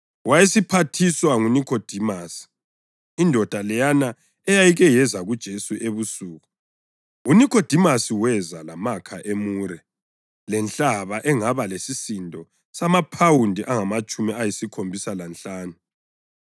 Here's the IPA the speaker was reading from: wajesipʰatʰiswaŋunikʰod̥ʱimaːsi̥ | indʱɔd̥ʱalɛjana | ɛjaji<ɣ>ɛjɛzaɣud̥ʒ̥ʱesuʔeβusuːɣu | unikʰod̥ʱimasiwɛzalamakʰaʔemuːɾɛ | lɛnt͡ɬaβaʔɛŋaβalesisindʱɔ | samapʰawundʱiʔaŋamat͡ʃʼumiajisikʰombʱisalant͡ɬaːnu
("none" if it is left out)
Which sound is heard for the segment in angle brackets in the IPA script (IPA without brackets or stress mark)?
ɣ